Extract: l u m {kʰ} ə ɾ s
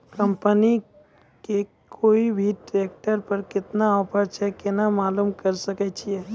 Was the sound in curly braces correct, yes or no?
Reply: no